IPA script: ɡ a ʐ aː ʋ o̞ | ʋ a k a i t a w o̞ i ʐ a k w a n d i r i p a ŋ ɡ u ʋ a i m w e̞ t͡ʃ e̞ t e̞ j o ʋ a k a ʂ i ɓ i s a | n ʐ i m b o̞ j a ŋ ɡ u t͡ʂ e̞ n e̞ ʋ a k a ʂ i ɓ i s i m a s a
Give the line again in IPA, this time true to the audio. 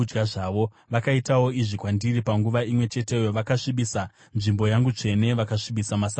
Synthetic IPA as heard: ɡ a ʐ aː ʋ o̞ | ʋ a k a i t a w o̞ i ʐ i k w a n d i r i p a ŋ ɡ u ʋ a i m w e̞ t͡ʃ e̞ t e̞ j o ʋ a k a ʂ i ɓ i s a | n ʐ i m b o̞ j a ŋ ɡ u t͡ʂ e̞ n e̞ ʋ a k a ʂ i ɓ i s a m a s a